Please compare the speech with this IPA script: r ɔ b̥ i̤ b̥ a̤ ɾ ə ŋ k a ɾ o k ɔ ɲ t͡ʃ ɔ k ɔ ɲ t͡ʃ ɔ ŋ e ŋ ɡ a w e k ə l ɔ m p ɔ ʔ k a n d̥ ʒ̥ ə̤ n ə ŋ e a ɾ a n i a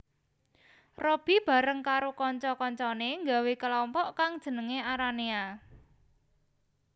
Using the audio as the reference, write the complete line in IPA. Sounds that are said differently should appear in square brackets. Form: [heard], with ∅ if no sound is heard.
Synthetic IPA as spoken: r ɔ b̥ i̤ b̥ a̤ ɾ ə ŋ k a ɾ o k ɔ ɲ t͡ʃ ɔ k ɔ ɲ t͡ʃ ɔ [n] e ŋ ɡ a w e k ə l ɔ m p ɔ ʔ k a [ŋ] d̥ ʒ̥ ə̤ n ə ŋ e a ɾ a n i a